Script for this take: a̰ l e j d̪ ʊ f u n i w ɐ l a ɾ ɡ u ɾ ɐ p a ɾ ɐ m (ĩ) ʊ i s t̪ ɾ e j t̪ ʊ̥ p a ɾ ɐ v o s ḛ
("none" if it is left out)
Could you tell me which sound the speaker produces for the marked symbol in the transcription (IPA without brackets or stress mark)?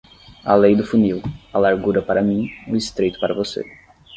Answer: ĩ